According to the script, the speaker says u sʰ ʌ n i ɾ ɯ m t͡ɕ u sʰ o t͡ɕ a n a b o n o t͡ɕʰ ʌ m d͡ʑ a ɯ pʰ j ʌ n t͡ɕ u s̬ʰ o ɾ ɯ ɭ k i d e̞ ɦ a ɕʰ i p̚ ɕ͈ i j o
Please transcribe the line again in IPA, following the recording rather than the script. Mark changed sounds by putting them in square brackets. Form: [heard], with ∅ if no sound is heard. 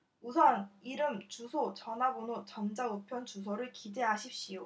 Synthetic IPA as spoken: u sʰ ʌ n i ɾ ɯ m t͡ɕ u sʰ o t͡ɕ [ʌ] n a b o n o [t͡ɕ] ʌ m d͡ʑ a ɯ pʰ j ʌ n t͡ɕ u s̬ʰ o ɾ ɯ ɭ k i d e̞ ɦ a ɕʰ i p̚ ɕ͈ i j o